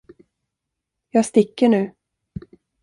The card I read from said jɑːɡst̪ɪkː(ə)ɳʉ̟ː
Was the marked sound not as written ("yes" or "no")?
no